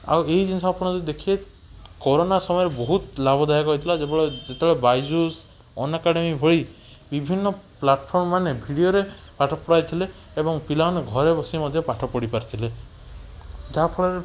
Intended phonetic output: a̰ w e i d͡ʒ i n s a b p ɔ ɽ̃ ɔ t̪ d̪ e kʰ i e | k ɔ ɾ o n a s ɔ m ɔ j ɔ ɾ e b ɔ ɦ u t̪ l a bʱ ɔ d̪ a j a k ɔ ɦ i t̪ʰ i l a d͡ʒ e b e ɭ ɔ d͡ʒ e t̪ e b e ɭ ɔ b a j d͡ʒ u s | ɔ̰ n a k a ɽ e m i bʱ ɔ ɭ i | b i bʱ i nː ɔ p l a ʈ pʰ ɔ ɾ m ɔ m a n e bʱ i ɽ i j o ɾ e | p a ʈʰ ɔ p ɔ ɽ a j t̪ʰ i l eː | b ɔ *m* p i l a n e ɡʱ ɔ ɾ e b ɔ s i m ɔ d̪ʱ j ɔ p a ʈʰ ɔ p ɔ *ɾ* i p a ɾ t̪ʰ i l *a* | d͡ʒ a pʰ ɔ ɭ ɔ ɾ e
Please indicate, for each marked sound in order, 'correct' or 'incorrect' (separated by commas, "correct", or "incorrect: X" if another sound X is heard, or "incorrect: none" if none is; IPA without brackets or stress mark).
incorrect: ŋ, incorrect: ɽ, incorrect: e